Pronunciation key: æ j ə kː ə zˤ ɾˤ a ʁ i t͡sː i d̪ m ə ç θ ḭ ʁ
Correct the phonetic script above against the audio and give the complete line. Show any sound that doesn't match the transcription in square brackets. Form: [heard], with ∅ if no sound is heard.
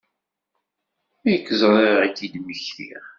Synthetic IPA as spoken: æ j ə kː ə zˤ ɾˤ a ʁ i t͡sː i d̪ m ə ç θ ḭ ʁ

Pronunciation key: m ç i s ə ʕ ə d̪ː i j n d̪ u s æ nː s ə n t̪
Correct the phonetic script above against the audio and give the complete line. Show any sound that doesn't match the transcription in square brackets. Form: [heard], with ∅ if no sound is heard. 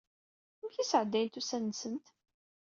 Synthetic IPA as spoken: m ç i s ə ʕ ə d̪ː [æ] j n [t̪] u s æ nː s ə n t̪

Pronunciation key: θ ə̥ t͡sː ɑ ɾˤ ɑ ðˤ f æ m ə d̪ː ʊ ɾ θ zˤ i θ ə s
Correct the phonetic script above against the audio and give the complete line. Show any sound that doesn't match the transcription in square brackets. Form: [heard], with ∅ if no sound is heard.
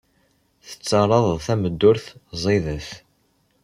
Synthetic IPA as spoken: θ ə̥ t͡sː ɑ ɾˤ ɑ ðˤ [θ] æ m ə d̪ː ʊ ɾ θ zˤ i [ð] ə [θ]

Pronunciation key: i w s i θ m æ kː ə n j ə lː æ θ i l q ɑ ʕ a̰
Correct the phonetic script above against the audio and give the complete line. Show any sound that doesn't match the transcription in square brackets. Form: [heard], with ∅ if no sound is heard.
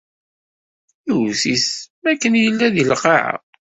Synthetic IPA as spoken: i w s i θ m æ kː ə n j ə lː æ [ð] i l q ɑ ʕ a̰

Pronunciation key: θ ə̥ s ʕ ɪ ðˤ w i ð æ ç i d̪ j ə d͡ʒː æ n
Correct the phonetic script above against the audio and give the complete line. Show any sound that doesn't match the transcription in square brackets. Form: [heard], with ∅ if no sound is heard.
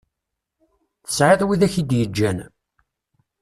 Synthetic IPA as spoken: θ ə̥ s ʕ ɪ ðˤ w i ð æ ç i d̪ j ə d͡ʒː æ n

